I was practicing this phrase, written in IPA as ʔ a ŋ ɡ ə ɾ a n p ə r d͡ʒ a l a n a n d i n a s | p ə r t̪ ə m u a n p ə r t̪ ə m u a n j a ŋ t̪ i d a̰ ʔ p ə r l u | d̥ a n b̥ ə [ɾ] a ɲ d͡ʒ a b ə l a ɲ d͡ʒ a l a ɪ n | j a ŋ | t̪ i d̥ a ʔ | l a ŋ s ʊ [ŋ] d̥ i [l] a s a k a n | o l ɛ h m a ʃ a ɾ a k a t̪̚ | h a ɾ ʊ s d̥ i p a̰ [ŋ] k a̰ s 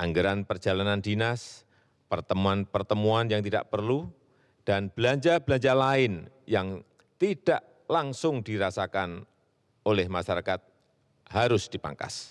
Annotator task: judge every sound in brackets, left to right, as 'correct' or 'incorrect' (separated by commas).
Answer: incorrect, correct, incorrect, correct